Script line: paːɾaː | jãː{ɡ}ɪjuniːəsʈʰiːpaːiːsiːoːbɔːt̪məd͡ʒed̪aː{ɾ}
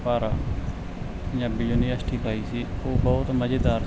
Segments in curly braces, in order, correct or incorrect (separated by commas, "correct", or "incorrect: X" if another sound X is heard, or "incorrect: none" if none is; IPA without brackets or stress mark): incorrect: b, correct